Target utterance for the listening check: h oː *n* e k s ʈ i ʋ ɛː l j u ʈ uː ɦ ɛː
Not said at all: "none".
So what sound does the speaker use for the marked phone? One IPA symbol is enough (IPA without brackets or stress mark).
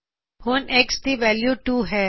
n